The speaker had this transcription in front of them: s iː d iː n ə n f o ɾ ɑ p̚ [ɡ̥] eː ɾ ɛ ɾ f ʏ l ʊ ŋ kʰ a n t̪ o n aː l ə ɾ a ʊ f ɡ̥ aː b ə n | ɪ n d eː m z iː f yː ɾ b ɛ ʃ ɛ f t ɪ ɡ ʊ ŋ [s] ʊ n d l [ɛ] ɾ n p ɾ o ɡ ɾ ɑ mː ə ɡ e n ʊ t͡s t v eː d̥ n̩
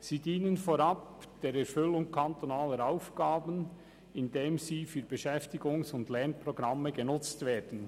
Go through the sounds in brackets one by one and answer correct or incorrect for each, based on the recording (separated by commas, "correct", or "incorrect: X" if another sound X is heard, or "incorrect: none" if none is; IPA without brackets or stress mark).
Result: incorrect: d̥, correct, correct